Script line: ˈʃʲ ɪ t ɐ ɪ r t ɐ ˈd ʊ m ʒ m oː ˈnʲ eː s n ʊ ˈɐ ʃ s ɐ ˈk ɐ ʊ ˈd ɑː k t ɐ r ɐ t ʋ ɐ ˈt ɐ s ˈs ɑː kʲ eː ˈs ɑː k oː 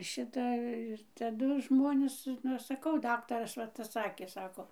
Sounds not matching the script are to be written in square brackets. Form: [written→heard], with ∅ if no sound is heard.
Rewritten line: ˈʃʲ ɪ t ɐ ɪ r t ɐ ˈd ʊ [m→∅] ʒ m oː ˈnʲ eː s n ʊ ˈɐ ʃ s ɐ ˈk ɐ ʊ ˈd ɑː k t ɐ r ɐ [t→s] ʋ ɐ ˈt ɐ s ˈs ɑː kʲ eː ˈs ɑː k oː